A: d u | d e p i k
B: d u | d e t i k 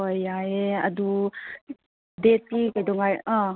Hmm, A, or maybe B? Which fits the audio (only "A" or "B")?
B